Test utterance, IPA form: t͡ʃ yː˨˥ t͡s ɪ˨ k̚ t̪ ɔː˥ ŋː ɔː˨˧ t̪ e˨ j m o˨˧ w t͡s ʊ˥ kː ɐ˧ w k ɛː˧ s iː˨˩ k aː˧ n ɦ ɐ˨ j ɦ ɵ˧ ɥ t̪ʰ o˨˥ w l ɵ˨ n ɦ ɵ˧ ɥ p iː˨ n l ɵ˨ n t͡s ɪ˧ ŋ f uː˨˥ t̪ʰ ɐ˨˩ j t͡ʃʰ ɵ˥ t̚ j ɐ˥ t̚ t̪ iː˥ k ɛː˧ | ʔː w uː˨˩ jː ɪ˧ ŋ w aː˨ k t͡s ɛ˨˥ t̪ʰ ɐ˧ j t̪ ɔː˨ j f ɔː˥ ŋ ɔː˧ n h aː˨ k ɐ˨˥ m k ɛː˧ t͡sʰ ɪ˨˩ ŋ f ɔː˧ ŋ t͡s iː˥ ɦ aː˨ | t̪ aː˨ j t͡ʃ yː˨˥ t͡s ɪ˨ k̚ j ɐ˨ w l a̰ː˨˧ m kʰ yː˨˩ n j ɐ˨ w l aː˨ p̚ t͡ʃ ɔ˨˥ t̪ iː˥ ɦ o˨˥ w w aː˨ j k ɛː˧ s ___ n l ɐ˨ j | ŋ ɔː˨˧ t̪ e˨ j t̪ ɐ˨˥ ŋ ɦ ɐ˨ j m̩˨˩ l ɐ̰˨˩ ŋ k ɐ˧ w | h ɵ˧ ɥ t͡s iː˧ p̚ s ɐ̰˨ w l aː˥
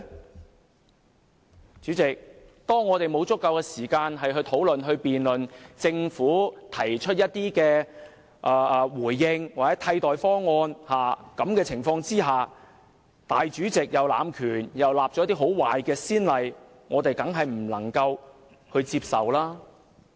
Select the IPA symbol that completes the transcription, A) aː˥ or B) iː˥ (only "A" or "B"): B